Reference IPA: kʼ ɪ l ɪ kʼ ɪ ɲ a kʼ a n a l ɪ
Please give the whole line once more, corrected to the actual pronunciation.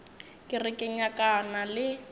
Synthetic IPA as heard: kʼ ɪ r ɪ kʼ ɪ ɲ a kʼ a n a l ɪ